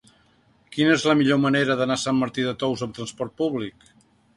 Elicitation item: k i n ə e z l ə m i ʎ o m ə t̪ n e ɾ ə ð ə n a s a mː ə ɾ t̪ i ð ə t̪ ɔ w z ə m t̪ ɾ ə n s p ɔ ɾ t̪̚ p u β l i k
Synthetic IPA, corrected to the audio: k i n ə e z l ə m i ʎ o m ə n e ɾ ə ð ə n a s a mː ə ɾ t̪ i ð ə t̪ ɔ w z ə m t̪ ɾ ə n s p ɔ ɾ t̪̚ p u β l i k